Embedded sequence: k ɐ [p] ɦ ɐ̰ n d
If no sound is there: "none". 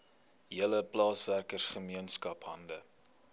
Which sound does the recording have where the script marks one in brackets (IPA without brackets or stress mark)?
p